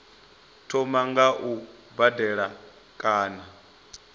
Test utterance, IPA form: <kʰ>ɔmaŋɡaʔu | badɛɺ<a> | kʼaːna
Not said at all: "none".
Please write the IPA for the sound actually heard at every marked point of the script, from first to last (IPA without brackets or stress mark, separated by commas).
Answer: tʰ, a